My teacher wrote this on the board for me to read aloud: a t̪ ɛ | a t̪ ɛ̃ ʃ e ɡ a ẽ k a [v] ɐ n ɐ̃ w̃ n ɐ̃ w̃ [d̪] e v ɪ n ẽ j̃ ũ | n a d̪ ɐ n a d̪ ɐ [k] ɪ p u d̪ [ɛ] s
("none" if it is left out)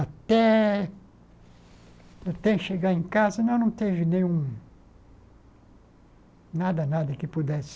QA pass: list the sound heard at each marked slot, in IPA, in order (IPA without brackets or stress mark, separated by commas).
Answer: z, t̪, k, ɛ